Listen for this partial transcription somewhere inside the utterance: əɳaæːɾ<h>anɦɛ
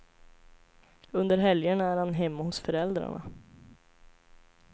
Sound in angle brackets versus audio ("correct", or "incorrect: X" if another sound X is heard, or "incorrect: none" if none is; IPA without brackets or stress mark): correct